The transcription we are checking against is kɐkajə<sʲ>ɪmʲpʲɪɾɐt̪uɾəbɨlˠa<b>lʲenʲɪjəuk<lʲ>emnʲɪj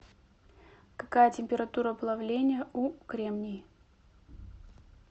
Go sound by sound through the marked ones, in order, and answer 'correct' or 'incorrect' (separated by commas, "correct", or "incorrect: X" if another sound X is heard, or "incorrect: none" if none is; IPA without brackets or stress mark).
incorrect: tʲ, incorrect: v, incorrect: ɾʲ